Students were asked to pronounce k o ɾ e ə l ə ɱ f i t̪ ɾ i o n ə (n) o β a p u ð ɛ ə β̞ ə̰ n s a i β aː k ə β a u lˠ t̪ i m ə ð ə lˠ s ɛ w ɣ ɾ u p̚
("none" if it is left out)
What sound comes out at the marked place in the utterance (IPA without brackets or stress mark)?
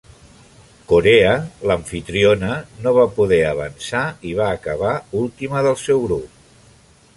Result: n